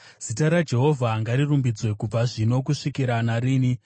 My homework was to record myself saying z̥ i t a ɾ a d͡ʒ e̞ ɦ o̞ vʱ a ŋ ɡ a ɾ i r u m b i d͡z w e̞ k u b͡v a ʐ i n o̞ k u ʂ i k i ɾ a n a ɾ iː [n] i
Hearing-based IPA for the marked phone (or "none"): n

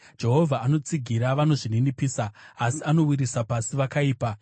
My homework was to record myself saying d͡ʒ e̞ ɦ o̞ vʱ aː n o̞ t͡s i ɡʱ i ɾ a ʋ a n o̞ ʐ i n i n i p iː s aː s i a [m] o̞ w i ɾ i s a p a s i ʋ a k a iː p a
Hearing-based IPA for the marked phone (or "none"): n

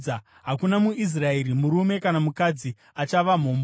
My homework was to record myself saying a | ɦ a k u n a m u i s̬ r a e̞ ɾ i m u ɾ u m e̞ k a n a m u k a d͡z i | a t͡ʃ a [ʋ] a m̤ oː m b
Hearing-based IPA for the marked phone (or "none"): ʋ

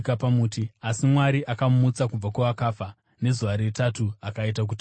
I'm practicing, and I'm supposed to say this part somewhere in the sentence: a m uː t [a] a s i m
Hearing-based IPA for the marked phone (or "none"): i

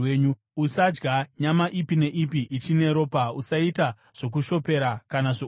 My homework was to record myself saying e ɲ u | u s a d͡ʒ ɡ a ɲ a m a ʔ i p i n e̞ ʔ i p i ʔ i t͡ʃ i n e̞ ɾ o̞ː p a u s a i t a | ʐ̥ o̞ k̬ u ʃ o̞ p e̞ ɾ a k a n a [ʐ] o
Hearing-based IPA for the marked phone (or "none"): ʐ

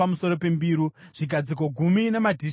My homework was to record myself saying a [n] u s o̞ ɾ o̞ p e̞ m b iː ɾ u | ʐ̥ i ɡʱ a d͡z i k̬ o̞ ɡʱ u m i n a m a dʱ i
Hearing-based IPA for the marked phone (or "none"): m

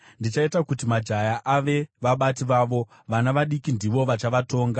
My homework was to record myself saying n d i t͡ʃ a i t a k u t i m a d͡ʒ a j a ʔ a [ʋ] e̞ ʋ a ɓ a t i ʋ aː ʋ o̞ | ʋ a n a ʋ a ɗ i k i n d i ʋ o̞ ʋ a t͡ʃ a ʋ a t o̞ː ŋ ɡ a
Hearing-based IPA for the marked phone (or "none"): ʋ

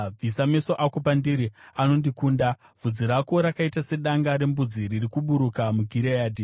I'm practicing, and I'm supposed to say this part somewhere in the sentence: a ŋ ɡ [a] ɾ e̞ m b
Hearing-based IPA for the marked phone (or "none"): a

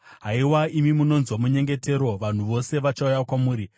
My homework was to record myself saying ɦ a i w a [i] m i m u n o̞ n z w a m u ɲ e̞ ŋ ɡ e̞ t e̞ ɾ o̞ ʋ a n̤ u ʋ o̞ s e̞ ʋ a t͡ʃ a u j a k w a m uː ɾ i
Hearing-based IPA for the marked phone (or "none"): i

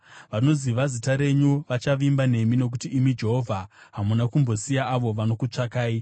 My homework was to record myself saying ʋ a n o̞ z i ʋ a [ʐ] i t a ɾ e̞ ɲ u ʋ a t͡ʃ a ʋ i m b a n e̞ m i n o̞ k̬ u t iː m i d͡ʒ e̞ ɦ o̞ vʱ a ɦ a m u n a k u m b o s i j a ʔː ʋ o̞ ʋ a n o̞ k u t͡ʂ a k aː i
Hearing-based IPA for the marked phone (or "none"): z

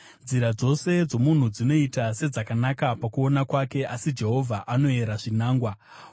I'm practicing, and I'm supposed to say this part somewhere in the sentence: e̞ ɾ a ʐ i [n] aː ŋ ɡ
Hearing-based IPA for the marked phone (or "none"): n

